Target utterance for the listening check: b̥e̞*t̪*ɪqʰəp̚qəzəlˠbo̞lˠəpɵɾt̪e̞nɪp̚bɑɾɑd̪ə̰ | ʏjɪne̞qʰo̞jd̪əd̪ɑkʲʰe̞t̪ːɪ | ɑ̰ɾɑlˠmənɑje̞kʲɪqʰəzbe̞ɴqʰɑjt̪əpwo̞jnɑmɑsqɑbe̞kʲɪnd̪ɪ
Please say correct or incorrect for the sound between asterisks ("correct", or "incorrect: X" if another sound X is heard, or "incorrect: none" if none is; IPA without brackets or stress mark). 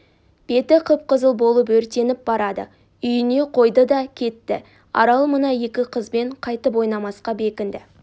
correct